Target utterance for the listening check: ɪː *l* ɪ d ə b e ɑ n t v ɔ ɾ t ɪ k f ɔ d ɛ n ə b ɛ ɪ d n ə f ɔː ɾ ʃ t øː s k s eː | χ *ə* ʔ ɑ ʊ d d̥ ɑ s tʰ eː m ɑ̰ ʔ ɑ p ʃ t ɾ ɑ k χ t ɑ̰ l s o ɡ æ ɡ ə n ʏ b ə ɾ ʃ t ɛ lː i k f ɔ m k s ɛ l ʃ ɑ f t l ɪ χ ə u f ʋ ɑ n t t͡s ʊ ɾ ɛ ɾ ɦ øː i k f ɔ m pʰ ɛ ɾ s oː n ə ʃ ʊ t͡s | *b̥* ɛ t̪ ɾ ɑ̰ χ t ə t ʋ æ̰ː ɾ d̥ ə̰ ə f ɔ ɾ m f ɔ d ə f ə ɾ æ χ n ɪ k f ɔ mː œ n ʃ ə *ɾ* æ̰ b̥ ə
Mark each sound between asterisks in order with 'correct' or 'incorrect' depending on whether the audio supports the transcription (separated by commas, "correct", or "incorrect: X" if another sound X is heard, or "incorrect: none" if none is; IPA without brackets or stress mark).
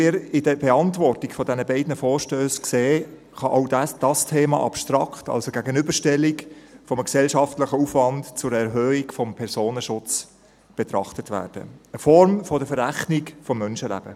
incorrect: ɾ, incorrect: ɑ, correct, incorrect: l